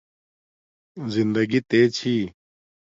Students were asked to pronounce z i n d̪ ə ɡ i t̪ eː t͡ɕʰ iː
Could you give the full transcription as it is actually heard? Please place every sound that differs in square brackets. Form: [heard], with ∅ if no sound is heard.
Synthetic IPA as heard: z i n d̪ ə ɡ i t̪ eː t͡ɕʰ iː